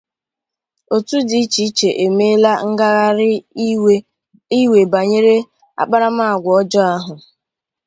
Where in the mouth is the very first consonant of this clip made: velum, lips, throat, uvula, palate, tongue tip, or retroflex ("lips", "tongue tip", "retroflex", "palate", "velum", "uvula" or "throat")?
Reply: tongue tip